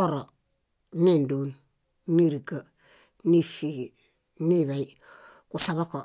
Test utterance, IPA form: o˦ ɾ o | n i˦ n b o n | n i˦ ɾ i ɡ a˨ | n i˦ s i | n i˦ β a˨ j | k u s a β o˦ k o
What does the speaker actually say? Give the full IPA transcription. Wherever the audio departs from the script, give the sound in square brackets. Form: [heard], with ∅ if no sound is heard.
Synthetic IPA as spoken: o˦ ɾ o | n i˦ n [d] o n | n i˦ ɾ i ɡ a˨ | n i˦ [f] i | n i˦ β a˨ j | k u s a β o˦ k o